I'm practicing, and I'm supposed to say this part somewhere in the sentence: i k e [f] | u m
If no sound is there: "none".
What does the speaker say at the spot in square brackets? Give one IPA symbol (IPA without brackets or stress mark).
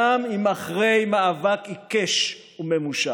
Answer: ʃ